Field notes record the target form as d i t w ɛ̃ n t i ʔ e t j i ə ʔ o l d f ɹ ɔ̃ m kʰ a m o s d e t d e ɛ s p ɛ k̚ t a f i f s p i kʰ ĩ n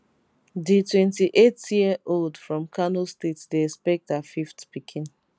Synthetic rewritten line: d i t w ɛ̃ n t i ʔ e t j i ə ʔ o l d f ɹ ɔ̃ m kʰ a n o s t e t d e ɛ s p ɛ k̚ t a f i f t p i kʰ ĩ n